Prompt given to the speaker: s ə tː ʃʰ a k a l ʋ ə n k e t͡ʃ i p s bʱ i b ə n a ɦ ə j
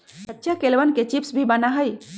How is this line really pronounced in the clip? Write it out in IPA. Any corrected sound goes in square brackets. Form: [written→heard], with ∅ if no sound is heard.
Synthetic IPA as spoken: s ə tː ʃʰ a k [a→e] l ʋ ə n k e t͡ʃ i p s bʱ i b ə n a ɦ ə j